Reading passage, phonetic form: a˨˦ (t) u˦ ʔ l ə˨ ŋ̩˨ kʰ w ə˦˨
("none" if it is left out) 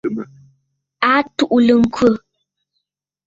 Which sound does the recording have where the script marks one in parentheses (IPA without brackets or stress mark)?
t